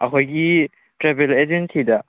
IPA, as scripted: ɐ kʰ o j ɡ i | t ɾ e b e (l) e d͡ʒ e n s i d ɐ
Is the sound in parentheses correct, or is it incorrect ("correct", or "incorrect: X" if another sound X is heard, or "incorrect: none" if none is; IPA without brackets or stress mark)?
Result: correct